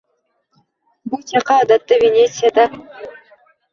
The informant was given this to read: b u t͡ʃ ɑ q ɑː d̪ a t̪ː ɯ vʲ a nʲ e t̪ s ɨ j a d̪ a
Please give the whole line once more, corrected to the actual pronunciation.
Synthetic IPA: b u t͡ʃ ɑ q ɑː d̪ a t̪ː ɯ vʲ e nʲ e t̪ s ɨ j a d̪ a